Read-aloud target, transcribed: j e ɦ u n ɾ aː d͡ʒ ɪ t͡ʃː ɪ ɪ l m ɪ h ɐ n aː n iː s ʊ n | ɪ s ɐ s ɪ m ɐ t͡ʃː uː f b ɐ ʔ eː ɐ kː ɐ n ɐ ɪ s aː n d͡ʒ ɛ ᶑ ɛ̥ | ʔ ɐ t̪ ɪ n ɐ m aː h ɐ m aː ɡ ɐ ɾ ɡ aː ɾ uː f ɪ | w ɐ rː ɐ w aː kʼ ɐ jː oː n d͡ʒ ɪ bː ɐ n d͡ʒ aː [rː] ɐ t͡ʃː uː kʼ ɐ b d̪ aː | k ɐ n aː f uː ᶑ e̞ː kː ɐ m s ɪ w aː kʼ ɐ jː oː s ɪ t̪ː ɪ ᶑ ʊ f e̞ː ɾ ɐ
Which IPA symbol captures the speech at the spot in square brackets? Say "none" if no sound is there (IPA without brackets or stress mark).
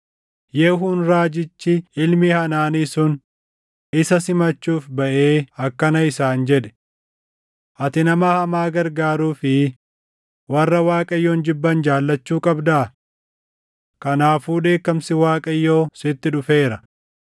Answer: lː